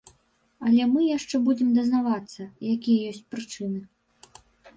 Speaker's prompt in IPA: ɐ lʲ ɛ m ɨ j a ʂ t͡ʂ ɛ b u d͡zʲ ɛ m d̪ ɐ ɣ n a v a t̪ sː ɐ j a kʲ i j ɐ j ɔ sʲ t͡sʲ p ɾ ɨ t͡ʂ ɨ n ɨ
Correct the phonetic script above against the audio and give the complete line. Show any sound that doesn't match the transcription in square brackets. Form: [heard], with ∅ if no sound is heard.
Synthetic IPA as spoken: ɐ lʲ ɛ m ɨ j a ʂ t͡ʂ ɛ b u d͡zʲ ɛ m d̪ ɐ [z] n a v a t̪ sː ɐ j a kʲ i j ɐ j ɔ sʲ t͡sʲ p ɾ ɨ t͡ʂ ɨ n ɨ